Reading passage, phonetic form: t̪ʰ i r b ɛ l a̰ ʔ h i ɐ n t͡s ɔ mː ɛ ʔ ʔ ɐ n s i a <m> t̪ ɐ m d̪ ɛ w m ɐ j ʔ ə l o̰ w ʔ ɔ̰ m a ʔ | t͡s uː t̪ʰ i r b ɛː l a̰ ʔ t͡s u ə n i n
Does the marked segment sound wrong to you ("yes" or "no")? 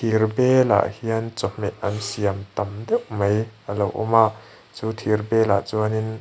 no